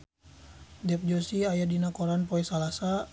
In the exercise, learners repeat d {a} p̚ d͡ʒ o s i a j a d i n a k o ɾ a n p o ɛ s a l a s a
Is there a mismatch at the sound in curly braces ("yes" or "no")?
yes